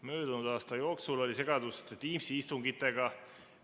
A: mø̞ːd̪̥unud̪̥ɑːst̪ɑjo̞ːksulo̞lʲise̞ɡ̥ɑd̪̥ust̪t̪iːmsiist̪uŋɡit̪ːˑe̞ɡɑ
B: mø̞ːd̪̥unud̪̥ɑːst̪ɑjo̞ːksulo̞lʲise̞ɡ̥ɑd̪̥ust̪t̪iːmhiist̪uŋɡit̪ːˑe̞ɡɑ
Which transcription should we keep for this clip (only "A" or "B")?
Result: A